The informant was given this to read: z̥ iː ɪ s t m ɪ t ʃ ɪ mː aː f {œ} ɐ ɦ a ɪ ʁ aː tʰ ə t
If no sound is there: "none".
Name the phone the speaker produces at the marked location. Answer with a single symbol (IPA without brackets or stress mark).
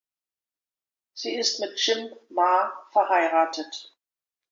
ɛ